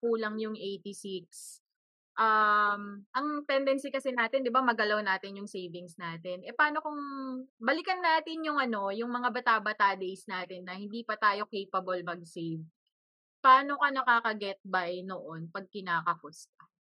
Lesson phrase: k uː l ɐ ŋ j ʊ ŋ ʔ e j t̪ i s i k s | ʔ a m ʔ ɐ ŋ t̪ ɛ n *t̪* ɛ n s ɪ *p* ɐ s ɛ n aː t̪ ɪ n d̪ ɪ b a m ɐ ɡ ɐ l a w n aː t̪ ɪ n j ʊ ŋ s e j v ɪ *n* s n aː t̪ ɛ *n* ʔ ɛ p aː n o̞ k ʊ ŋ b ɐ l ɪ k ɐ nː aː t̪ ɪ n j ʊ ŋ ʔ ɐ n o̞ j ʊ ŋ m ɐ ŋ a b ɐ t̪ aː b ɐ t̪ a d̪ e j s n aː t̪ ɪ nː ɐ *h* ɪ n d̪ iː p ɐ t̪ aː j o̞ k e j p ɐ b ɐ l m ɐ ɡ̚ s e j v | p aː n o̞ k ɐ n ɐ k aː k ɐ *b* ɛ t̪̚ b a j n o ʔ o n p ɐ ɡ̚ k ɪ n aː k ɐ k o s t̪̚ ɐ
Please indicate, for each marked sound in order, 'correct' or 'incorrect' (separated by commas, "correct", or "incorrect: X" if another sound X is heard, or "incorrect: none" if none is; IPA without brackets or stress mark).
incorrect: d̪, incorrect: k, incorrect: ŋ, correct, correct, incorrect: ɡ